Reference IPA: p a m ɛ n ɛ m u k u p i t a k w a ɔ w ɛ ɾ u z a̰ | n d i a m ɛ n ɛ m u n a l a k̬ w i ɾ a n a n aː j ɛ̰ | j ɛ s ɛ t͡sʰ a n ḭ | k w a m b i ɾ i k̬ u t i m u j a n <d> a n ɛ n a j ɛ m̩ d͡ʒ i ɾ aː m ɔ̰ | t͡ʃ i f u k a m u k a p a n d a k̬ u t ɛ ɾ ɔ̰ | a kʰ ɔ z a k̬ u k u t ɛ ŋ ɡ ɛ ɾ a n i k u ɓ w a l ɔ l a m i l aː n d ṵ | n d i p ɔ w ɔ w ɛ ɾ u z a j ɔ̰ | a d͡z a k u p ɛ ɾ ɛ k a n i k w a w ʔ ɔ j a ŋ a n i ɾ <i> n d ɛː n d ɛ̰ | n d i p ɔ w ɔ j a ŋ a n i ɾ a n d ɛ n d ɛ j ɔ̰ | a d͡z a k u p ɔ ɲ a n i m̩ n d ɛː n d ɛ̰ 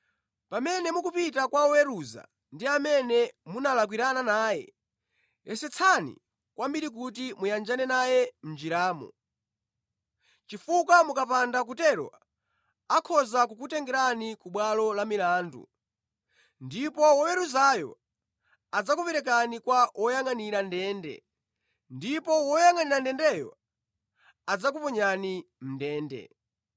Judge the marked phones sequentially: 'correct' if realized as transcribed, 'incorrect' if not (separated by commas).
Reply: incorrect, incorrect